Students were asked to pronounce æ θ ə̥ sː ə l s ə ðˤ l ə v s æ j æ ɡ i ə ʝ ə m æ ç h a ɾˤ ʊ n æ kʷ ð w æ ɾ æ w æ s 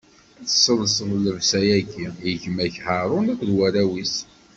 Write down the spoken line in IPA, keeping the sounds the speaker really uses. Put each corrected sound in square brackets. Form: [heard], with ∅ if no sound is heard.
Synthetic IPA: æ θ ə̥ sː ə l s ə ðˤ l ə v s æ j æ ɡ i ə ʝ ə m æ ç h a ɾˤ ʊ n æ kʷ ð w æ ɾ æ w [i] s